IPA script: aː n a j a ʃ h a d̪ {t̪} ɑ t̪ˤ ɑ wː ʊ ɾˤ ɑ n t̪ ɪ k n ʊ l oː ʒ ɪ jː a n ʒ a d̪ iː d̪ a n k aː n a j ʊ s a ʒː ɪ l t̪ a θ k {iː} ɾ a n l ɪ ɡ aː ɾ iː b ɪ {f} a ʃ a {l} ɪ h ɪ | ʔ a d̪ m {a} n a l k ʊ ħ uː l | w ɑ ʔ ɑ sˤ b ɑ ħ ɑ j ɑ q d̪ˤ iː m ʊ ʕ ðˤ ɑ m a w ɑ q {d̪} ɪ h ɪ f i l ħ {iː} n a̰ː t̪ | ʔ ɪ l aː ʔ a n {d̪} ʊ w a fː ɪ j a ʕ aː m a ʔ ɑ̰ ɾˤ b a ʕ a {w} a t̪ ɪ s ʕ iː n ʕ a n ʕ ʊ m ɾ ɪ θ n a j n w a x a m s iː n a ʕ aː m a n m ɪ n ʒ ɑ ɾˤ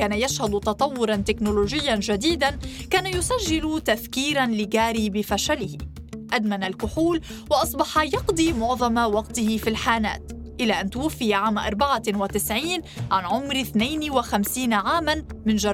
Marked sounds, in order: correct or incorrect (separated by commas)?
correct, correct, correct, correct, correct, incorrect, incorrect, incorrect, correct